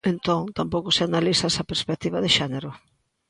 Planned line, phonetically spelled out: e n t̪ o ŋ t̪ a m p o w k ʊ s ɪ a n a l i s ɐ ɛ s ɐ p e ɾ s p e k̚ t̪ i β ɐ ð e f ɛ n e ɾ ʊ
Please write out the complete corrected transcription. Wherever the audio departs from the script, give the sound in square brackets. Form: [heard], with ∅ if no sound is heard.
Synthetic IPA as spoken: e n t̪ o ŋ t̪ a m p o w k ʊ s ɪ a n a l i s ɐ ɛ s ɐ p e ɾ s p e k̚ t̪ i β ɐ ð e [ʃ] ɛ n e ɾ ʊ